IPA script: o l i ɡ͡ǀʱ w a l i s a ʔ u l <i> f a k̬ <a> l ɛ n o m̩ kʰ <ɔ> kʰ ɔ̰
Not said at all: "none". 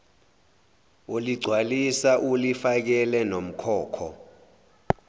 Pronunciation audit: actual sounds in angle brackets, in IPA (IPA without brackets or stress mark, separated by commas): i, ɛ, ɔː